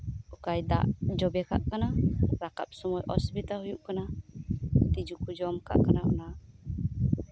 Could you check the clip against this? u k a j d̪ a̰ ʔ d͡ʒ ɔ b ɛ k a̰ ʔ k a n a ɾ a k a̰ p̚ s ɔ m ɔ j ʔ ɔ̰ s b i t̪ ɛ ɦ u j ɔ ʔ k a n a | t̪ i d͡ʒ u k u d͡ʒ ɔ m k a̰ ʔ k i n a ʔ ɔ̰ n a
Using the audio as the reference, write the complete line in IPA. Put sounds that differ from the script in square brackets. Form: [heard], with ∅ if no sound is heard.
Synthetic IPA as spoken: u k a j d̪ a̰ ʔ d͡ʒ ɔ b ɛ k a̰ ʔ k a n a ɾ a k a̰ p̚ s ɔ m ɔ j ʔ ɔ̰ s b i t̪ [a] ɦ u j [u] ʔ k a n a | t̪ i d͡ʒ u k u d͡ʒ ɔ m k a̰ ʔ k [a] n a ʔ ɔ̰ n a